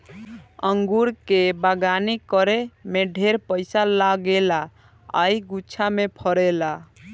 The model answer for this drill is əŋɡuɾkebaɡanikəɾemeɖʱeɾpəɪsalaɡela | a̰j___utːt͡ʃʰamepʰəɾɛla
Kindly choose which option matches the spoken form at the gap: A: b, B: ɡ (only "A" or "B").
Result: B